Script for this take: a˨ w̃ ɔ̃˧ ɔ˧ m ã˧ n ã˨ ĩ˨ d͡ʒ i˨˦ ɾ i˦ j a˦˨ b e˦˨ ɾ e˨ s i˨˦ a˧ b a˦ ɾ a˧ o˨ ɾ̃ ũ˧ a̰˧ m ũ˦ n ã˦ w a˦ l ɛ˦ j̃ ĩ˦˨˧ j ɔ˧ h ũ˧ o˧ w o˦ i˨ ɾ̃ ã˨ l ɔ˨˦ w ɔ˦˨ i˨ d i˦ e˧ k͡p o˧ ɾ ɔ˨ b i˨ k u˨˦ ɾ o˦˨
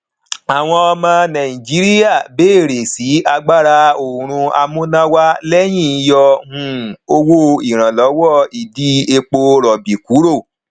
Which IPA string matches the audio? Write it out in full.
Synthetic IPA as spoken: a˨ w̃ ɔ̃˧ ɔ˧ m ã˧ n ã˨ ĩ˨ d͡ʒ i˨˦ ɾ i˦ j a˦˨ b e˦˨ ɾ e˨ s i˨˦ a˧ ɡ͡b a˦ ɾ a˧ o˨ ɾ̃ ũ˧ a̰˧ m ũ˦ n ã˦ w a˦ l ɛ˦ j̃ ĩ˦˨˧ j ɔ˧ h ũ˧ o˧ w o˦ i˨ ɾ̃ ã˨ l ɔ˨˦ w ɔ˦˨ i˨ d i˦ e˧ k͡p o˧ ɾ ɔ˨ b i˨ k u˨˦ ɾ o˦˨

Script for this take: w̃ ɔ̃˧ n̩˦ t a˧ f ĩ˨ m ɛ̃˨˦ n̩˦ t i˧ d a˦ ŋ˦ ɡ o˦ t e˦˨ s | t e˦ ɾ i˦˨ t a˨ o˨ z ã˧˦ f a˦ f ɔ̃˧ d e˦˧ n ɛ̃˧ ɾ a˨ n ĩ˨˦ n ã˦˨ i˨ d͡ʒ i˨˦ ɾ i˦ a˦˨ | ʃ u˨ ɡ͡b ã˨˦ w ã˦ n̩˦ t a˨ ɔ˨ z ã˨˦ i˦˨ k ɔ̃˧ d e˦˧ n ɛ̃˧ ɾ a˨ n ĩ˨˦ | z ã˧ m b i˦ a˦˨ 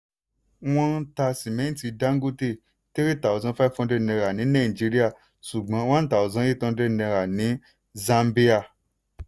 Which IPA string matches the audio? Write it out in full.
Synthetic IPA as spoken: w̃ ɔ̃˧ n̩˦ t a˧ s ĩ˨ m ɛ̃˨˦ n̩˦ t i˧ d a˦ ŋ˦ ɡ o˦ t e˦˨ | t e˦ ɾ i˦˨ t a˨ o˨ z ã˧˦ f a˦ f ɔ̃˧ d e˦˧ n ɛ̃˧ ɾ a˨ n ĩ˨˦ n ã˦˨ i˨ d͡ʒ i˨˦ ɾ i˦ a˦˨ | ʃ u˨ ɡ͡b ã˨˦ w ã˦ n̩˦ t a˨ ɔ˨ z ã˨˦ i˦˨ t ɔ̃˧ d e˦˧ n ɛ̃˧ ɾ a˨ n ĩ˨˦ | z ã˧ m b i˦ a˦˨

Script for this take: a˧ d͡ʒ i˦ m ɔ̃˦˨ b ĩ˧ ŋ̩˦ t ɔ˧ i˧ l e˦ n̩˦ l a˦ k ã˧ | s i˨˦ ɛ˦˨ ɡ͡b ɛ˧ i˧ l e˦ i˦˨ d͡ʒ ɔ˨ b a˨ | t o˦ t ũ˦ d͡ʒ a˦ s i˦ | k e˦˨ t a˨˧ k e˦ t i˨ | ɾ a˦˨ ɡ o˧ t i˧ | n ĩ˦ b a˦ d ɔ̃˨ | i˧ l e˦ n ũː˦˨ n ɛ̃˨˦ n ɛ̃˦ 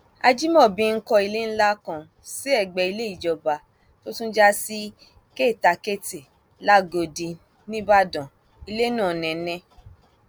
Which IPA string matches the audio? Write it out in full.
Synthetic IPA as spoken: a˧ d͡ʒ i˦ m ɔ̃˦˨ b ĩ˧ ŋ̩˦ k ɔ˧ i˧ l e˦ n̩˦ l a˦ k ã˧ | s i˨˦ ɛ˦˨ ɡ͡b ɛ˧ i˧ l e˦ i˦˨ d͡ʒ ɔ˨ b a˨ | t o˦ t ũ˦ d͡ʒ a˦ s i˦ | k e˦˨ t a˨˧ k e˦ t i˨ | l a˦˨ ɡ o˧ d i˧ | n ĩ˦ b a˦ d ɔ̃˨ | i˧ l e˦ n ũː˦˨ n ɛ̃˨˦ n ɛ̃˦

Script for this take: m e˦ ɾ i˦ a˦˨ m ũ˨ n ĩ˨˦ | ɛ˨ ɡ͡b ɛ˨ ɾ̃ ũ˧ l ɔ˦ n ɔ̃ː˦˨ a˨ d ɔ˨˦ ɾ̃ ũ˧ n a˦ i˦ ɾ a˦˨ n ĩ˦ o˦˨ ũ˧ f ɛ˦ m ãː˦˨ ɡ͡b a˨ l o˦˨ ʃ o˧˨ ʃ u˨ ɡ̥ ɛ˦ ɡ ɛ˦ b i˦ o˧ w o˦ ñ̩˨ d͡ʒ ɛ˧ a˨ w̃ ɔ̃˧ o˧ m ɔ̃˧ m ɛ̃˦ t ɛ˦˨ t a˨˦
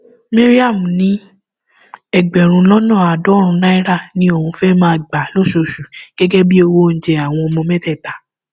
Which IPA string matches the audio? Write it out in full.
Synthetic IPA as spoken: m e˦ ɾ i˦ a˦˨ m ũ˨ n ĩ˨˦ | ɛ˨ ɡ͡b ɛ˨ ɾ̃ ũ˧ l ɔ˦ n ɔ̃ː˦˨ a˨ d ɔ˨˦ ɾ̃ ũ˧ n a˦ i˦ ɾ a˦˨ n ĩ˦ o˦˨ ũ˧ f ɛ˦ m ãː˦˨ ɡ͡b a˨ l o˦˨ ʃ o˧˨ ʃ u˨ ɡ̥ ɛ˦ ɡ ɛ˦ b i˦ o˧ w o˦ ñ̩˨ d͡ʒ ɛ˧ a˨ w̃ ɔ̃˧ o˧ m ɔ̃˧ m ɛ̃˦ t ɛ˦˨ t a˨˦

